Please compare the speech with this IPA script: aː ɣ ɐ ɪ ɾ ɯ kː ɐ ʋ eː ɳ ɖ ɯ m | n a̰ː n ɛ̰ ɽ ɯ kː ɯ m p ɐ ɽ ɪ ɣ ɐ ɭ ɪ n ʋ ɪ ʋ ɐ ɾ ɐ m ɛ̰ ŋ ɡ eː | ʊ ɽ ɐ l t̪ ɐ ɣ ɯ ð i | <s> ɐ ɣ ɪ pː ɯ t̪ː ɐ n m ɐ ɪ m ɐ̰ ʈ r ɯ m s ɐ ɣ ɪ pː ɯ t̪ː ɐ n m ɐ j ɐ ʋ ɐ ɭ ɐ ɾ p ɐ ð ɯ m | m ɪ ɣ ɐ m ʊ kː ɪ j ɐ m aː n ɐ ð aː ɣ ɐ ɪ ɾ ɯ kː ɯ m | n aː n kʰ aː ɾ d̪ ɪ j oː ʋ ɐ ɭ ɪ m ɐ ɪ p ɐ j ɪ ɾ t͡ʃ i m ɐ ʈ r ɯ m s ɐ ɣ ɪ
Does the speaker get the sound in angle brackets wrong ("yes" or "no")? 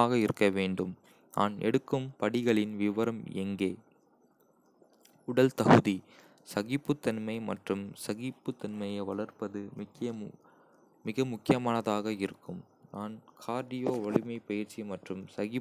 no